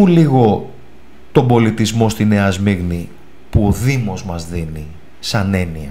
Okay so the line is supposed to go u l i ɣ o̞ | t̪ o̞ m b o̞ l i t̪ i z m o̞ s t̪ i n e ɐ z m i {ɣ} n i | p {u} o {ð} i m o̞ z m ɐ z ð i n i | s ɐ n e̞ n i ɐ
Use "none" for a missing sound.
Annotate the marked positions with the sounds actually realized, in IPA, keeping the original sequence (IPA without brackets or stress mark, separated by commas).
ɣ, u, ð